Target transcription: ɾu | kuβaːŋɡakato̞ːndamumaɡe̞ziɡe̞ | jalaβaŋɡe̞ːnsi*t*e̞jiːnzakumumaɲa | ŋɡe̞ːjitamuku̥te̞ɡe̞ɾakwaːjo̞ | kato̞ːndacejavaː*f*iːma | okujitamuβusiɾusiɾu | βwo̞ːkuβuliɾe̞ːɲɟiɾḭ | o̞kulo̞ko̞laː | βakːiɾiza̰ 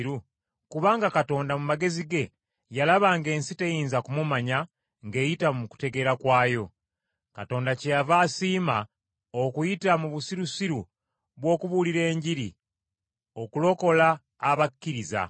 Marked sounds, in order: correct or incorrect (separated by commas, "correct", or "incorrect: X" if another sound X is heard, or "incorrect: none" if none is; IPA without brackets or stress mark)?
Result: correct, incorrect: s